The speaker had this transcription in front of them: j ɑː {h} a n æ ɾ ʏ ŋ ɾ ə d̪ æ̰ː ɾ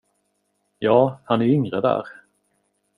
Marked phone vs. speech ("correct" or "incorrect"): correct